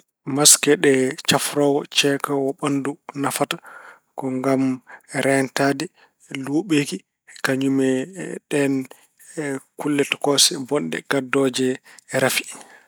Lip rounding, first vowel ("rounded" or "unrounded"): unrounded